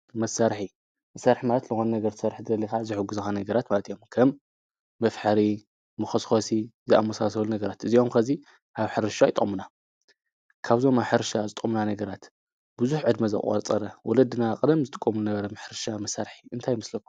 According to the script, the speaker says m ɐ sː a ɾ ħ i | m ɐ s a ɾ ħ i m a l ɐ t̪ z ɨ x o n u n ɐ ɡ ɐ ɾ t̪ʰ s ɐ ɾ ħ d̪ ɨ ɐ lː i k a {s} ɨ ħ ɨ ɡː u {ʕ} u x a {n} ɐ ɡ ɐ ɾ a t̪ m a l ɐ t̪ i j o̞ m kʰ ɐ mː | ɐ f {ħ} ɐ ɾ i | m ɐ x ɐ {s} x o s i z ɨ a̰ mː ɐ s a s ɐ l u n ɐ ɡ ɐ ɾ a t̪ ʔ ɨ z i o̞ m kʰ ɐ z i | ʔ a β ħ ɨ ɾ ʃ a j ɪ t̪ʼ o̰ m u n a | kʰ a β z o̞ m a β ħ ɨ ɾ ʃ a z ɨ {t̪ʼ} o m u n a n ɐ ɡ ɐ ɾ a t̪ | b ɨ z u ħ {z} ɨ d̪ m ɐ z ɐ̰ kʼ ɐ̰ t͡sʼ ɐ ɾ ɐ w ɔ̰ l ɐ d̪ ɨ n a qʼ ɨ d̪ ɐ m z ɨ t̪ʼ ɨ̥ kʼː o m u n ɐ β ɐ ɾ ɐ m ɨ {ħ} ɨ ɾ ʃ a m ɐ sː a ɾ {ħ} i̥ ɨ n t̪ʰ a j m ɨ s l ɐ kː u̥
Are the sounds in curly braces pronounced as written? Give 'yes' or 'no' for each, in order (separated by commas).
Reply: no, no, yes, yes, yes, yes, no, yes, yes